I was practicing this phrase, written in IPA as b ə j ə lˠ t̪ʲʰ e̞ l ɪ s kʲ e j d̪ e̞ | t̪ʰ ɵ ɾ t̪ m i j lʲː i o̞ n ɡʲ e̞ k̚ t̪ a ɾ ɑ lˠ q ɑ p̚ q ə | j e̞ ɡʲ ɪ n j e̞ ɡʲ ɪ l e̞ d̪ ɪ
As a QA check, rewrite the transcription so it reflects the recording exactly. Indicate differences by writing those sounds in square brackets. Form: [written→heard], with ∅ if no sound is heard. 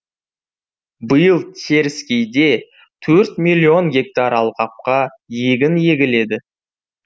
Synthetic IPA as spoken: b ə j ə lˠ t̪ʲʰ e̞ [l→ɾ] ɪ s kʲ e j d̪ e̞ | t̪ʰ ɵ ɾ t̪ m i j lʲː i o̞ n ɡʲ e̞ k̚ t̪ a ɾ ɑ lˠ q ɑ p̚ q [ə→ɑ] | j e̞ ɡʲ ɪ n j e̞ ɡʲ ɪ l e̞ d̪ ɪ